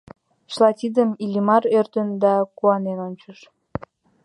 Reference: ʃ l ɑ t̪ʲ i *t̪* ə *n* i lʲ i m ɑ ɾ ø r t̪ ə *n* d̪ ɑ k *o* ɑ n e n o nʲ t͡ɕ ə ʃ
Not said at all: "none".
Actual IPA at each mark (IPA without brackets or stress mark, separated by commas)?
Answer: d̪, m, n, u